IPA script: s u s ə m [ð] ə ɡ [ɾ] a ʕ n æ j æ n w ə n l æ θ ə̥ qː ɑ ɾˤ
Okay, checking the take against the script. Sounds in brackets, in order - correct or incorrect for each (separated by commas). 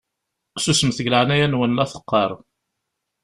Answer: incorrect, incorrect